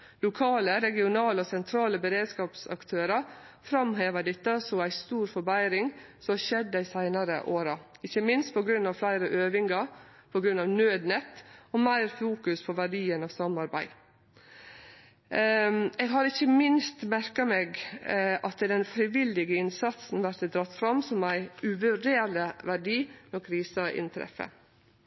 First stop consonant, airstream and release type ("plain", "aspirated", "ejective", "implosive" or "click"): aspirated